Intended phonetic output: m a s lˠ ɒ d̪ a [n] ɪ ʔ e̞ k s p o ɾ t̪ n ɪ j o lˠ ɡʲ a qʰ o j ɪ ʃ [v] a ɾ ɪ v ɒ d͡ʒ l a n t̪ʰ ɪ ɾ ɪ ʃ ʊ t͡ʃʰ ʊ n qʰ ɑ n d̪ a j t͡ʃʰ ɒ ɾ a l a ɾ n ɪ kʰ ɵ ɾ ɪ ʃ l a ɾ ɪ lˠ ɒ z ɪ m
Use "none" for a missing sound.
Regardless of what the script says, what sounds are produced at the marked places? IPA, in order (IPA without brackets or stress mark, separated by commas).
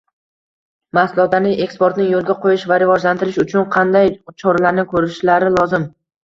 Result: n, v